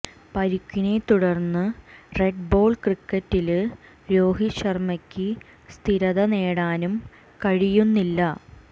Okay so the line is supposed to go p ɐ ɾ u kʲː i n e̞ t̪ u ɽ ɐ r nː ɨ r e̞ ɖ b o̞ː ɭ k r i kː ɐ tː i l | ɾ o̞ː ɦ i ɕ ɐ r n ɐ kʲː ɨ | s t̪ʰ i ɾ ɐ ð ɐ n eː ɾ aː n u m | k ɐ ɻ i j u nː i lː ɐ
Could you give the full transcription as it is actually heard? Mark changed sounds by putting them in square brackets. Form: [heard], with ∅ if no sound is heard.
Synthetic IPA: p ɐ ɾ u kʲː i n e̞ t̪ u ɽ ɐ r nː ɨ r e̞ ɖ b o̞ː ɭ k r i kː ɐ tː i l | ɾ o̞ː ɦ i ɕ ɐ r [m] ɐ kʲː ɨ | s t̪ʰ i ɾ ɐ ð ɐ n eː [ɽ] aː n u m | k ɐ ɻ i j u nː i lː ɐ